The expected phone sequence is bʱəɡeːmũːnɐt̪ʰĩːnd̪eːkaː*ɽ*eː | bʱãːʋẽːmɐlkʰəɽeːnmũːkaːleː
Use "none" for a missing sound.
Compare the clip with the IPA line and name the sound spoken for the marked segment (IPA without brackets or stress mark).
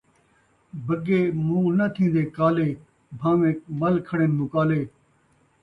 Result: l